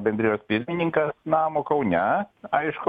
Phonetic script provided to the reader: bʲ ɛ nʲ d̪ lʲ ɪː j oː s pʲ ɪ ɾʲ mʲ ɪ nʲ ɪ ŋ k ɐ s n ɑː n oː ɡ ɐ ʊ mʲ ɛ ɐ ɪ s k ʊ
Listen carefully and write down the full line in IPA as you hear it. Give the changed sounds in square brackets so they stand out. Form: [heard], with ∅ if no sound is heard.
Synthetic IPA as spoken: bʲ ɛ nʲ d̪ [ɾʲ] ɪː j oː s pʲ ɪ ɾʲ mʲ ɪ nʲ ɪ ŋ k ɐ s n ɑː [m] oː [k] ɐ ʊ [nʲ] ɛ ɐ ɪ [ʃ] k ʊ